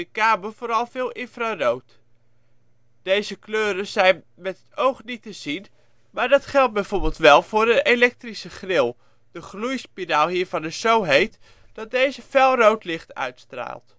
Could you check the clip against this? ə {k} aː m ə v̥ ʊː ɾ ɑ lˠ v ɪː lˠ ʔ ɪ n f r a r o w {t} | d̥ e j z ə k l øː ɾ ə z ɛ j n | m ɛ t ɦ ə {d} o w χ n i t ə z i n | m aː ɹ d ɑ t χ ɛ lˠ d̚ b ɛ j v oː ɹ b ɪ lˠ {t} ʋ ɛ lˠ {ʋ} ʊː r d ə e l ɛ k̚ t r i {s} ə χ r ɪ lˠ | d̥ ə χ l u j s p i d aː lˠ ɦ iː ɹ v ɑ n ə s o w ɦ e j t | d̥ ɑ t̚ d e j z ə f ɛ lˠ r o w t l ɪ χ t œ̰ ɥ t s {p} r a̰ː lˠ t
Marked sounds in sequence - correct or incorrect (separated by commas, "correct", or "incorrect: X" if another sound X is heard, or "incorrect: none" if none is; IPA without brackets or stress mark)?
correct, correct, incorrect: t, correct, incorrect: v, correct, incorrect: t